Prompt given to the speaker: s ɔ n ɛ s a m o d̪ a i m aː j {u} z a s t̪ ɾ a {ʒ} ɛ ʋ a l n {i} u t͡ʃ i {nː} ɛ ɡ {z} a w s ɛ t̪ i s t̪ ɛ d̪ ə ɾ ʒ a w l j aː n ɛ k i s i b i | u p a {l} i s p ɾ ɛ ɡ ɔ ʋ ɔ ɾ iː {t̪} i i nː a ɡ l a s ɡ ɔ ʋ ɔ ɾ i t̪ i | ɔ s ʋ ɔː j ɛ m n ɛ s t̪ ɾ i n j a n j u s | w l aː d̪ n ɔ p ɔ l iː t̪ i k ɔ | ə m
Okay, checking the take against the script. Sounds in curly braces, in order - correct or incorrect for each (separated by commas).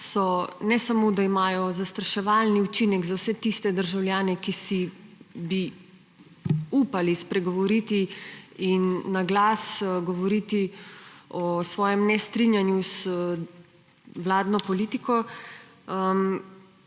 incorrect, incorrect, correct, incorrect, correct, correct, correct